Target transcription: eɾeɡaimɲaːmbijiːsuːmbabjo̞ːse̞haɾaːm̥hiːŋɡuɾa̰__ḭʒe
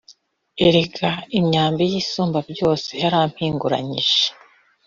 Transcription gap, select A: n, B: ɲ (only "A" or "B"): B